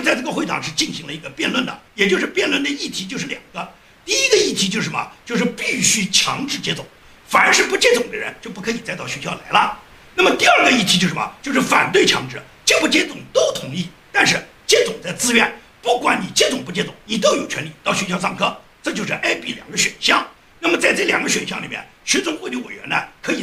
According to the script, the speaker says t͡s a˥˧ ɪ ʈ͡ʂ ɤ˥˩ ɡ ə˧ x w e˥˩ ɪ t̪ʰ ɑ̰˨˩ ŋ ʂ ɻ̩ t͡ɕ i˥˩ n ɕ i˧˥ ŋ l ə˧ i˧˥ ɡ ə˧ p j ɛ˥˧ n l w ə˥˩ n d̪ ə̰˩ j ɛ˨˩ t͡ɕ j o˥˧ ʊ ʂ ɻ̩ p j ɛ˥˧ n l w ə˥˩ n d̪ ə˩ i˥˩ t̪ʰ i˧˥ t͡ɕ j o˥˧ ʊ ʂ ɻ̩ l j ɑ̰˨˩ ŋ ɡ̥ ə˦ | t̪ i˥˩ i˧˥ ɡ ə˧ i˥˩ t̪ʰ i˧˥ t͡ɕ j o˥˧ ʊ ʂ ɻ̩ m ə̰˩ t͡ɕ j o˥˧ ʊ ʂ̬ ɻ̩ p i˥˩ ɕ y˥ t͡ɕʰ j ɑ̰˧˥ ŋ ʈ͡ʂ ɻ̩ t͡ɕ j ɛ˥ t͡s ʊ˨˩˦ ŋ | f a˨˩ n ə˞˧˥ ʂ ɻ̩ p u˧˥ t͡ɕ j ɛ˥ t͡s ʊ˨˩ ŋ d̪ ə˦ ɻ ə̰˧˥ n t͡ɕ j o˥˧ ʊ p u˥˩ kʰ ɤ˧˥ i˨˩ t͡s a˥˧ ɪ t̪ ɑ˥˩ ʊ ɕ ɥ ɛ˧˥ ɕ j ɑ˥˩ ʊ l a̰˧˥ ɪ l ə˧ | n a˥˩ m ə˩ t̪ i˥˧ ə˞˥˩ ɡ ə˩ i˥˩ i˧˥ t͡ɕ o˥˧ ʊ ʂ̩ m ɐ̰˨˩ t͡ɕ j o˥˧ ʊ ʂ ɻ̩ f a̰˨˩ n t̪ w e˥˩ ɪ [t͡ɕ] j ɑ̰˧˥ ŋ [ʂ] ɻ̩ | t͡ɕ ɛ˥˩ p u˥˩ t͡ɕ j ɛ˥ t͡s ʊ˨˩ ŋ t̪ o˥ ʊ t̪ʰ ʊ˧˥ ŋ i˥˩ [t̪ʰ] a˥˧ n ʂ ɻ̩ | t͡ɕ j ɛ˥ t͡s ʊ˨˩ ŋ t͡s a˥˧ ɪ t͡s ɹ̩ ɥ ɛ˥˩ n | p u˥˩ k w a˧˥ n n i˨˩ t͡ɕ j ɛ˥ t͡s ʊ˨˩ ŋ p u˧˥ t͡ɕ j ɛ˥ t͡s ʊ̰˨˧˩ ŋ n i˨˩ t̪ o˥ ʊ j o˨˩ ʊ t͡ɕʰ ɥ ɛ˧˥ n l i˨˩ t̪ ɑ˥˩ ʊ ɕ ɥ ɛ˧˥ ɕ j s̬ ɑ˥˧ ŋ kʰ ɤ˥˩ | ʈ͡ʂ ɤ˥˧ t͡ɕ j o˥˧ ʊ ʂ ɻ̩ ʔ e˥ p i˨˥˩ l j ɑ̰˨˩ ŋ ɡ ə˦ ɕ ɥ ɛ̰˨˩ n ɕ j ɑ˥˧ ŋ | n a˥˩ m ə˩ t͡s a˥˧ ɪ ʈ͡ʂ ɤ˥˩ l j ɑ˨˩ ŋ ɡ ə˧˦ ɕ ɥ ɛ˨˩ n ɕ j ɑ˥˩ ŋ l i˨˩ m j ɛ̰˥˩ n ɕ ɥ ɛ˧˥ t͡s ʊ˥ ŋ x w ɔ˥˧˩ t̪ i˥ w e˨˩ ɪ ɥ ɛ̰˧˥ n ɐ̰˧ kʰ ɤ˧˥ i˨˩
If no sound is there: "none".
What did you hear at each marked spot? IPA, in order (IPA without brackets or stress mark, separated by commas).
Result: t͡ɕʰ, ʈ͡ʂ, t̪